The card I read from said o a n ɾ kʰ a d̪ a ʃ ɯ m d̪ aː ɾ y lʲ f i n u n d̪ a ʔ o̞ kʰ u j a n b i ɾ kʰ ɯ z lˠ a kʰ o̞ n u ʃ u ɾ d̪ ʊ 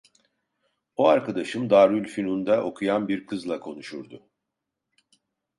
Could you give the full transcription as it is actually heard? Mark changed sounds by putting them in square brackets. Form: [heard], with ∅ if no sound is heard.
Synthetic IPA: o a [∅] ɾ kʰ a d̪ a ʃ ɯ m d̪ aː ɾ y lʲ f i n u n d̪ a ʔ o̞ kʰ u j a n b i ɾ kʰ ɯ z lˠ a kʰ o̞ n u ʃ u ɾ d̪ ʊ